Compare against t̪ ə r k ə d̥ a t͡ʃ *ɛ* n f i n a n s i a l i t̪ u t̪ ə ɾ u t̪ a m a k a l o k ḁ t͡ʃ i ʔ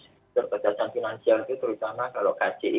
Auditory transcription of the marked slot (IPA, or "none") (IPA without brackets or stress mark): a